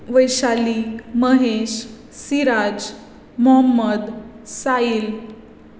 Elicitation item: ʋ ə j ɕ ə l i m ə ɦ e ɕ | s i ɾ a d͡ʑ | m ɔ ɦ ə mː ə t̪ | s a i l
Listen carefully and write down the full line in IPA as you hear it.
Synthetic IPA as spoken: ʋ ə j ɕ a l i m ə ɦ e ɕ | s i ɾ a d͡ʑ | m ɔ ɦ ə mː ə d̪ | s a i l